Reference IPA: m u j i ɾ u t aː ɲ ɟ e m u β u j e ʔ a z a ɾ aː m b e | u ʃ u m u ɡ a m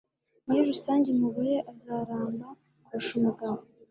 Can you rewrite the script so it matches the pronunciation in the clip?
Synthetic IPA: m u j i ɾ u s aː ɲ ɟ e m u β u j e ʔ a z a ɾ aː m b a | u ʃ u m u ɡ a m